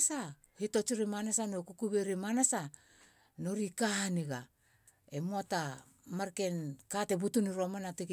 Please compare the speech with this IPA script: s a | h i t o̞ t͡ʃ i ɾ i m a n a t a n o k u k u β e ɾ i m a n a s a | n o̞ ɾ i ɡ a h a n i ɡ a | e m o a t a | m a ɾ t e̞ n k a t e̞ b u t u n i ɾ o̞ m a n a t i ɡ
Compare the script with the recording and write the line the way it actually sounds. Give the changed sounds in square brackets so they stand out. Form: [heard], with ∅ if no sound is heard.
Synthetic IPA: s a | h i t o̞ t͡ʃ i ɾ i m a n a [s] a n o k u k u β e ɾ i m a n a s a | n o̞ ɾ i [k] a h a n i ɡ a | e m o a t a | m a ɾ [k] e̞ n k a t e̞ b u t u n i ɾ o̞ m a n a t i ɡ

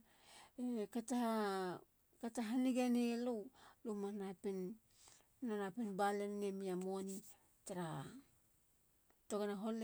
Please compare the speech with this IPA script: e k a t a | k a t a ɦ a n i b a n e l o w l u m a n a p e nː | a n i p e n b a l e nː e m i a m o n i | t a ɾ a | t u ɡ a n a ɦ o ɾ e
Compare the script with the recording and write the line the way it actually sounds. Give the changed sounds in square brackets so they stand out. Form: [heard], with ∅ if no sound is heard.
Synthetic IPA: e k a t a | k a t a ɦ a n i [ɡ] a n e l o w l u m a n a p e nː | a n [a] p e n b a l e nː e m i a m o n i | t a ɾ a | t [o] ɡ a n a ɦ o [l] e

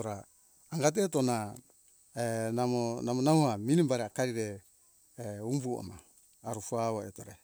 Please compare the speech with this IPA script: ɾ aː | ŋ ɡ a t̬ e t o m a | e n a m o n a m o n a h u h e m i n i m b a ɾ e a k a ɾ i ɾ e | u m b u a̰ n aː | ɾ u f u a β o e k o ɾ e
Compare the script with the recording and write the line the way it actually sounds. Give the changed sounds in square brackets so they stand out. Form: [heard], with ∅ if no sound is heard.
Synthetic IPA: ɾ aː | ŋ ɡ a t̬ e t o [n] a | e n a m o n a m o n a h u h [a] m i n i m b a ɾ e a k a ɾ i ɾ e | u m b u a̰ [m] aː | ɾ u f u a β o e [t] o ɾ e

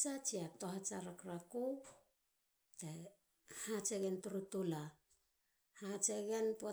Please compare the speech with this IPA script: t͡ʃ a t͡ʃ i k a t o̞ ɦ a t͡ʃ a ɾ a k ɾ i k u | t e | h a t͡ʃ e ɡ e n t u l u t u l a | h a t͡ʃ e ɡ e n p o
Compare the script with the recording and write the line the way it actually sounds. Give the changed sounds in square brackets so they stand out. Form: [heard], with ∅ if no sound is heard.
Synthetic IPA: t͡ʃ a t͡ʃ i [∅] a t o̞ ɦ a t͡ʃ a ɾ a k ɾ [a] k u | t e | h a t͡ʃ e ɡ e n t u [ɾ] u t u l a | h a t͡ʃ e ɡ e n p o

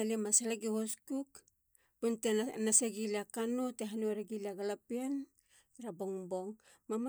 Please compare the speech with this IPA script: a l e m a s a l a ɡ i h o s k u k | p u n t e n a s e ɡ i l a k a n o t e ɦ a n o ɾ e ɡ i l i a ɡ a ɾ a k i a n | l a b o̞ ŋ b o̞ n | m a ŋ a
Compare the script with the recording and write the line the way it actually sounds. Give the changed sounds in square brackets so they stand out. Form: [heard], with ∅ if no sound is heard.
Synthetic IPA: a l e m a s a l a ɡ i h o s k u k | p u n t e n a s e ɡ i l a k a n o t e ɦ a n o ɾ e ɡ i l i a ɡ a [l] a [p] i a n | [ɾ] a b o̞ ŋ b o̞ [ŋ] | m a [m] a

